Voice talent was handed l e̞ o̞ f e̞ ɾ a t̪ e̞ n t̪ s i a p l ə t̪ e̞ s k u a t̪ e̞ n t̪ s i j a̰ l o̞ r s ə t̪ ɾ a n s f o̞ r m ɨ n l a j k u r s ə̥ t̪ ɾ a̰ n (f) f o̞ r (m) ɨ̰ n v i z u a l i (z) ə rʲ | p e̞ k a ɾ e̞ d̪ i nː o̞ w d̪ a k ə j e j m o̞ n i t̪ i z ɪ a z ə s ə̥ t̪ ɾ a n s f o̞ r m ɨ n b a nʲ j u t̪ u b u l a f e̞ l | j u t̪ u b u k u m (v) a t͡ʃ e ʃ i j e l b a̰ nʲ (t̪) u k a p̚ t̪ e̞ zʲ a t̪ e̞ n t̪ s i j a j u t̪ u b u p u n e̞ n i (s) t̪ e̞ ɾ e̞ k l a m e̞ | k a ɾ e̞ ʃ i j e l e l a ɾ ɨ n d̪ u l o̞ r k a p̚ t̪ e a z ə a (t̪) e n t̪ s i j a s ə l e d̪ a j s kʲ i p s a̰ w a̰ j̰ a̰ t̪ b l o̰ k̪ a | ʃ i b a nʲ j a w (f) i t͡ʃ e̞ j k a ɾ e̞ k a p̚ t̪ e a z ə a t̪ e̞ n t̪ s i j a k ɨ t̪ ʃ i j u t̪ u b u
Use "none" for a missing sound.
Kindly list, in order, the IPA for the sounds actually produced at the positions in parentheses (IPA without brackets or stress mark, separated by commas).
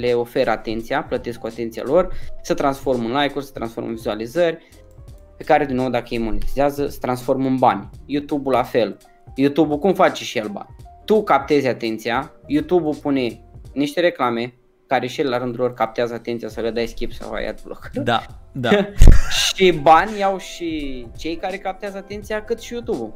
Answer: s, m, z, f, t̪, ʃ, t̪, ʃ